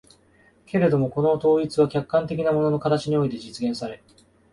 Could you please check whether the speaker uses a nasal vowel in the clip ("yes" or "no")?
yes